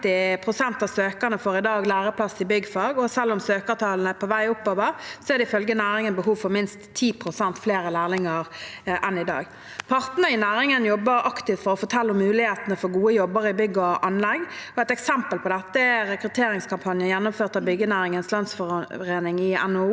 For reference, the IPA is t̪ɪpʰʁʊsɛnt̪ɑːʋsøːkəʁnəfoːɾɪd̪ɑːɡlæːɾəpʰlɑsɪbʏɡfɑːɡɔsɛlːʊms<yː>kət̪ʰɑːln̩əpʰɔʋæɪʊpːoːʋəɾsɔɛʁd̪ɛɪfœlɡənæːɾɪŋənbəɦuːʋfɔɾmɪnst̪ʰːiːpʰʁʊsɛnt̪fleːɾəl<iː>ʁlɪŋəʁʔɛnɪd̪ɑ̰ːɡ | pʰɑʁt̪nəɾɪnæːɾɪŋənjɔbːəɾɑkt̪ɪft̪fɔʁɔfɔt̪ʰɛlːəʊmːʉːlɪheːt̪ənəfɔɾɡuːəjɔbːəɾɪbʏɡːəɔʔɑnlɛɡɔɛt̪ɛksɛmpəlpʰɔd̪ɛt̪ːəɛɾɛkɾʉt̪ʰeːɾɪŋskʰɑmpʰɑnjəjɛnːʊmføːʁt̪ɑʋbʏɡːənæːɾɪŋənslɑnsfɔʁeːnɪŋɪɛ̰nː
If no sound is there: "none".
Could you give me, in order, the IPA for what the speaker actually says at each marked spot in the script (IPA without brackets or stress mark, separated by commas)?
øː, æː